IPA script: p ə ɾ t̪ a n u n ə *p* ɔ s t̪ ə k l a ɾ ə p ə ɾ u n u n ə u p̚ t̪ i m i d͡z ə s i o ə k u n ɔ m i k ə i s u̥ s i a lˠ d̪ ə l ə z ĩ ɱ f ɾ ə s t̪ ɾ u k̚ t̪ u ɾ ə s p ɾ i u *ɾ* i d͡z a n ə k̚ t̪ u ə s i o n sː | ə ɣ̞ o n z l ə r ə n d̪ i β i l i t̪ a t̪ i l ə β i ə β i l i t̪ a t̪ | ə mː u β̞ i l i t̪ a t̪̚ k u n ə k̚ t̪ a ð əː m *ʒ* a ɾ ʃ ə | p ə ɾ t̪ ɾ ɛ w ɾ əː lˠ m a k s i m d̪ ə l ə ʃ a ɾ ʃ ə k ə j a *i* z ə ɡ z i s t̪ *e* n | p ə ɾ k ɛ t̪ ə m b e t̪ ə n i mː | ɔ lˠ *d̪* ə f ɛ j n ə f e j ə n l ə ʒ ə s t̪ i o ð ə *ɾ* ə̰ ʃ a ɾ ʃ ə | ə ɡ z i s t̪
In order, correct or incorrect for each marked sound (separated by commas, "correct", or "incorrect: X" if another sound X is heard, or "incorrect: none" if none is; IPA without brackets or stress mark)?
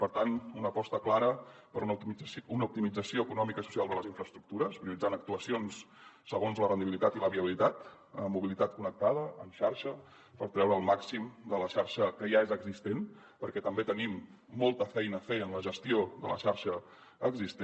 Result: correct, incorrect: l, incorrect: ʃ, incorrect: e, correct, incorrect: t̪, incorrect: l